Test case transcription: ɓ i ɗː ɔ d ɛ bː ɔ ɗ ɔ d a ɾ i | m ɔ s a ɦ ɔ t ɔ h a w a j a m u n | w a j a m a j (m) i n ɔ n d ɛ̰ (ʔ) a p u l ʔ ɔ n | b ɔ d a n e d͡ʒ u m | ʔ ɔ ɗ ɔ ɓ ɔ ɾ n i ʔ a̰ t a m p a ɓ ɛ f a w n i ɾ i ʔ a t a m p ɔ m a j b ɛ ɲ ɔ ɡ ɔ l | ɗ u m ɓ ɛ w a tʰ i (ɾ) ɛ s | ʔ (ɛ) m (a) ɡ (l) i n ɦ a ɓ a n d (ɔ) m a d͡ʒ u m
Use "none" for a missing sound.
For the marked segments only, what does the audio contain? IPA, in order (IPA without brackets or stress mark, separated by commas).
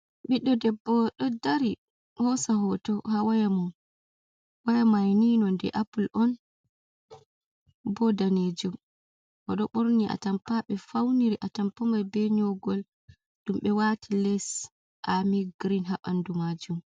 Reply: n, ʔ, l, a, i, ɾ, u